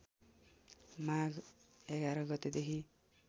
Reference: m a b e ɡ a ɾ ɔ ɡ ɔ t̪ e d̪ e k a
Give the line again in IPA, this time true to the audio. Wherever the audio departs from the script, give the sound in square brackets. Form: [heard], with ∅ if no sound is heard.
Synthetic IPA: m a [ɡ] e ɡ a ɾ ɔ ɡ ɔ t̪ e d̪ e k [i]